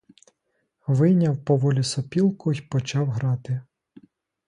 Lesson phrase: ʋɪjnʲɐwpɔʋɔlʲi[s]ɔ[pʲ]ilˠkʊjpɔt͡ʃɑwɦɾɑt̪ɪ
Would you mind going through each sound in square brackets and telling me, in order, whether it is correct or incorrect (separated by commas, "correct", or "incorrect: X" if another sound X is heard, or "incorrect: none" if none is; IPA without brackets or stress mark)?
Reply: correct, correct